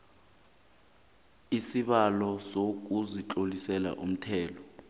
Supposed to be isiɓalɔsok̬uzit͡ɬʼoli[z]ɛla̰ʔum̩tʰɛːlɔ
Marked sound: incorrect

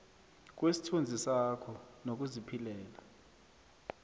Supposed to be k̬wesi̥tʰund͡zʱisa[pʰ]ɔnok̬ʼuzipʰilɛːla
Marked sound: incorrect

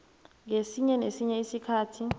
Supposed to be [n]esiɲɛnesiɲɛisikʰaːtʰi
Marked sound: incorrect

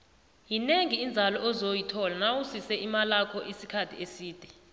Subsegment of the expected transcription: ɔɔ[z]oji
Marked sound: correct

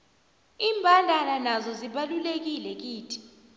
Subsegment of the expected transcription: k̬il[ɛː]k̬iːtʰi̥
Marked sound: incorrect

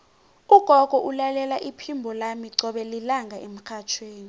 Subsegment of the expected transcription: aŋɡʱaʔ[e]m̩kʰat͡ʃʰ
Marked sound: correct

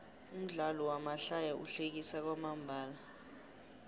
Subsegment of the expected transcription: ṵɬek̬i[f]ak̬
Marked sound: incorrect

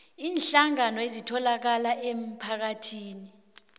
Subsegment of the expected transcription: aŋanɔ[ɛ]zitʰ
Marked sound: incorrect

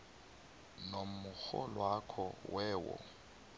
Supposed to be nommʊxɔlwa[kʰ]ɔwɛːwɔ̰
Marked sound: correct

